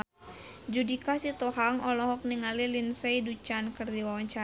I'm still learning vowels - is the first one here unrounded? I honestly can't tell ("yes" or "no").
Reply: no